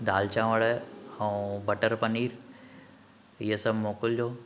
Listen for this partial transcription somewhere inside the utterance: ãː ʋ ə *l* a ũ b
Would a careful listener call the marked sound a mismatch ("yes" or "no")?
yes